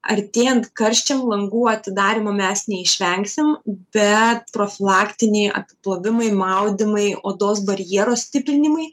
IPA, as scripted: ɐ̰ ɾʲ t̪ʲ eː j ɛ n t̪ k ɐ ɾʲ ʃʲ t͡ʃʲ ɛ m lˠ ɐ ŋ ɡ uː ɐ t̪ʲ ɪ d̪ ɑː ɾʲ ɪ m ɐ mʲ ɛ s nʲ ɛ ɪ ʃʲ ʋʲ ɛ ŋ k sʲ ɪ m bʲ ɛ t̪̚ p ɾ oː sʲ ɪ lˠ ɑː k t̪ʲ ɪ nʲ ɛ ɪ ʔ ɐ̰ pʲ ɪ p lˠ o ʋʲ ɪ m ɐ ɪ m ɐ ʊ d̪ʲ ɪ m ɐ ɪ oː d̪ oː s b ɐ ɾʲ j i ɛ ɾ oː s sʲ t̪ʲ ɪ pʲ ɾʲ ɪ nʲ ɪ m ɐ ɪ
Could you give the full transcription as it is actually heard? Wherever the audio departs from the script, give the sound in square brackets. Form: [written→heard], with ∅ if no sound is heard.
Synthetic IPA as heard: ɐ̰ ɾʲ t̪ʲ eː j ɛ n t̪ k ɐ ɾʲ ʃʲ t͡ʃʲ ɛ m lˠ ɐ ŋ ɡ uː ɐ t̪ʲ ɪ d̪ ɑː ɾʲ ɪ m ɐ mʲ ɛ s nʲ ɛ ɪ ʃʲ ʋʲ ɛ ŋ k sʲ ɪ m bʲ ɛ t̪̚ p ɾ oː [sʲ→fʲ] ɪ lˠ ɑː k t̪ʲ ɪ nʲ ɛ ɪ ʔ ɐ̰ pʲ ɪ p lˠ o ʋʲ ɪ m ɐ ɪ m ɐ ʊ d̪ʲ ɪ m ɐ ɪ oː d̪ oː s b ɐ ɾʲ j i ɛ ɾ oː s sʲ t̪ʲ ɪ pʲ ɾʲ ɪ nʲ ɪ m ɐ ɪ